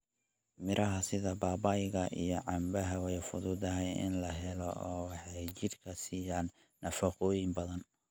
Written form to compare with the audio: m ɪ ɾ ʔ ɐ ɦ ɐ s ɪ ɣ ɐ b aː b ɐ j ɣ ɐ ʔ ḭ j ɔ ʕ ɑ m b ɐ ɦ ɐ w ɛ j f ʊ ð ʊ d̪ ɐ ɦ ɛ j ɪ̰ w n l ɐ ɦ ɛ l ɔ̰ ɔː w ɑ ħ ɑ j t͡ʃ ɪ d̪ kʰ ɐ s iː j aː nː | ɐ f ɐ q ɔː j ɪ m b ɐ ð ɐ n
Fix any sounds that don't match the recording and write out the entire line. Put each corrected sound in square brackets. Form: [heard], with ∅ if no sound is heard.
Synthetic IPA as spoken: m ɪ ɾ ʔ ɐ ɦ ɐ s ɪ [ð] ɐ b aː b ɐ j ɣ ɐ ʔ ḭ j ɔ ʕ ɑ m b ɐ ɦ ɐ w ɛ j f ʊ ð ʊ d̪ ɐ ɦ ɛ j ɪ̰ [∅] n l ɐ ɦ ɛ l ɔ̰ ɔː w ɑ ħ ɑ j t͡ʃ ɪ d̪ kʰ ɐ s iː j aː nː | ɐ f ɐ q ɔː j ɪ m b ɐ ð ɐ n